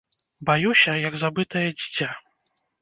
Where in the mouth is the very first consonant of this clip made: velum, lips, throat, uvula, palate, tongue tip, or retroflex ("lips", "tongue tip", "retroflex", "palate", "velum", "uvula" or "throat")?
lips